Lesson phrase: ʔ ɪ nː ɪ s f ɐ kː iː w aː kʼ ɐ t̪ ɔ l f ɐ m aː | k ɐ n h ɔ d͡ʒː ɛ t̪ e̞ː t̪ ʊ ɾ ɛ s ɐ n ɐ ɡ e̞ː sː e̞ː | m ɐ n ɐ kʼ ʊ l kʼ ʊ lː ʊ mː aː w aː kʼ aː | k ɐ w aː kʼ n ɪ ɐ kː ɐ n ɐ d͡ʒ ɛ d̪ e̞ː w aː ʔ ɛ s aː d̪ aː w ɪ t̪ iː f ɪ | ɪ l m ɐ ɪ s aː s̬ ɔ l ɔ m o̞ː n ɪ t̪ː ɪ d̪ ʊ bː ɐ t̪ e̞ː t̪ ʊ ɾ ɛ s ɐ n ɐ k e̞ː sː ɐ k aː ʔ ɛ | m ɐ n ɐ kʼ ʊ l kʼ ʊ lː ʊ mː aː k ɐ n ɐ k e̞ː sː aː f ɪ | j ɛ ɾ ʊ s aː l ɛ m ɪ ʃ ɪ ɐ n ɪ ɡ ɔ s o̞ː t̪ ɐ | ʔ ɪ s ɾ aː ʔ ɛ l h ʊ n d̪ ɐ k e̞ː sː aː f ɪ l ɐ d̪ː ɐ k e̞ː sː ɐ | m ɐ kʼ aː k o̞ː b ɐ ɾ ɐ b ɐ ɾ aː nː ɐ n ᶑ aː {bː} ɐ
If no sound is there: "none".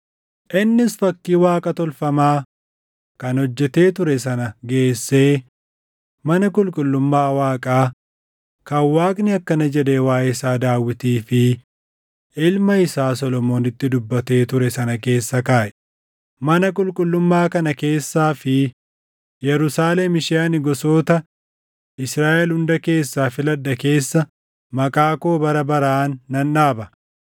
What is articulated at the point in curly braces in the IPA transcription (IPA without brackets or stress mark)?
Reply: b